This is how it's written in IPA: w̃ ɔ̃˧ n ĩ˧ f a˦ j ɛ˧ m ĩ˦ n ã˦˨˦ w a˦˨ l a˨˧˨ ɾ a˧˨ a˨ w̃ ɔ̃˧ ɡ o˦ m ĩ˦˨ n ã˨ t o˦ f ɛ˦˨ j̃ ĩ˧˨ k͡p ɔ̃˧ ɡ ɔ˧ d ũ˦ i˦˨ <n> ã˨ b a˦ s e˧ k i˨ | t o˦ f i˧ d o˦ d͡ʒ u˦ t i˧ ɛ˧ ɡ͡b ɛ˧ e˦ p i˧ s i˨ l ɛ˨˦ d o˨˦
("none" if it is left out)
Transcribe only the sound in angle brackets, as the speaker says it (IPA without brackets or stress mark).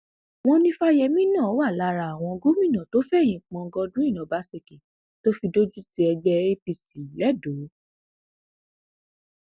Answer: n